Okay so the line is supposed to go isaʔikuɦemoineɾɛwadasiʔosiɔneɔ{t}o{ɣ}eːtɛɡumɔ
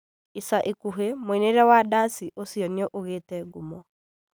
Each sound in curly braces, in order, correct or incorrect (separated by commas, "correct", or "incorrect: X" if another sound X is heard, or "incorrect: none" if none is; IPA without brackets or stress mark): incorrect: ʔ, correct